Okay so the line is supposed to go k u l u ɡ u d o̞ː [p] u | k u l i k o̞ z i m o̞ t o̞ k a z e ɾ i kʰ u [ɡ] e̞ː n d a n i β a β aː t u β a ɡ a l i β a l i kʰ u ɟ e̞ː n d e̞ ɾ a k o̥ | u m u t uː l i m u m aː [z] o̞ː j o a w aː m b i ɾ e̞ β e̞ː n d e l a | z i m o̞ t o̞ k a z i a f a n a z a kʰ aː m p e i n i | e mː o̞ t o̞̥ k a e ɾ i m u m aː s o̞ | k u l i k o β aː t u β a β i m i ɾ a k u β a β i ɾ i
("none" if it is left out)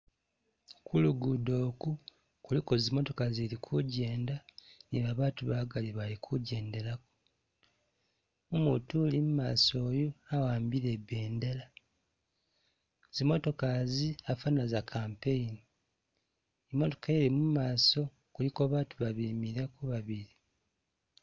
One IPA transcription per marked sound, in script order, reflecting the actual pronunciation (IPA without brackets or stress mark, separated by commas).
k, ɟ, s